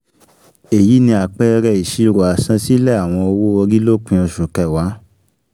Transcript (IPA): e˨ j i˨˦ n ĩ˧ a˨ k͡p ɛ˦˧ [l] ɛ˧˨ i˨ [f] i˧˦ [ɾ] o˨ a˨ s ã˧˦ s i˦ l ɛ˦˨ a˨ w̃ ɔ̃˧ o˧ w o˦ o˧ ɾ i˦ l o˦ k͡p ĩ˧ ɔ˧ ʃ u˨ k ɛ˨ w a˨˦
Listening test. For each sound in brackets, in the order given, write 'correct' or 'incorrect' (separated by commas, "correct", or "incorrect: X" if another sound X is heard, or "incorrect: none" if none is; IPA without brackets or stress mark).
incorrect: ɾ, incorrect: ʃ, correct